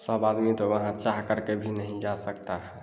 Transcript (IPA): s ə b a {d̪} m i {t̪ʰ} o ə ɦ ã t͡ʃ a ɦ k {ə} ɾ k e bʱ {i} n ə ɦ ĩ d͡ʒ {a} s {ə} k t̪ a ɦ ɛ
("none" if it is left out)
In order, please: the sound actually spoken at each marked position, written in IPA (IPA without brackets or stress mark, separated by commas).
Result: d̪, t̪, ə, i, a, ə